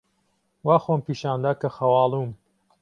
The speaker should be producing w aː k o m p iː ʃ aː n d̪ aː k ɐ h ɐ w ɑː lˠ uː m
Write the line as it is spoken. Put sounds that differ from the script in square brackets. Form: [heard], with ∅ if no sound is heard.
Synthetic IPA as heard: w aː [x] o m p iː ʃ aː n d̪ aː k ɐ [x] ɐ w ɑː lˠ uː m